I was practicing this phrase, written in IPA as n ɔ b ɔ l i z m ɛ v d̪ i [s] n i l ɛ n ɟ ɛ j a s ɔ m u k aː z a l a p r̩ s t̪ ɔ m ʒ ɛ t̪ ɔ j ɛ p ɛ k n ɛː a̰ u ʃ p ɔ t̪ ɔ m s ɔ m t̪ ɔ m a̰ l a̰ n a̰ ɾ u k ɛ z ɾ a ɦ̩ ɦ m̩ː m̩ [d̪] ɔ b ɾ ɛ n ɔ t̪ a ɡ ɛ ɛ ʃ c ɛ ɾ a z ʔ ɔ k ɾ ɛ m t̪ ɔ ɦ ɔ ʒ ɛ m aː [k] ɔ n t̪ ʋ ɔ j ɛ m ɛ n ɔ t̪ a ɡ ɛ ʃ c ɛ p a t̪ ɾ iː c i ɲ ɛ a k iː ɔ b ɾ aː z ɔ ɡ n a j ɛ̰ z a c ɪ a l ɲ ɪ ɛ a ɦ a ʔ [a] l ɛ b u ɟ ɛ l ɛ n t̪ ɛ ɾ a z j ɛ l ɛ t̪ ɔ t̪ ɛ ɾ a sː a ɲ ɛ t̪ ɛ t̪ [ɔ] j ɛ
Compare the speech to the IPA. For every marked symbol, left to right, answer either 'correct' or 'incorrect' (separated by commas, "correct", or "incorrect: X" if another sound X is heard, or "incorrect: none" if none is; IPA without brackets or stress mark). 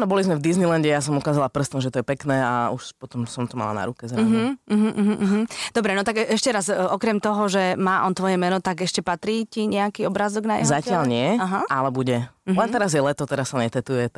incorrect: z, correct, incorrect: ʔ, correct, incorrect: u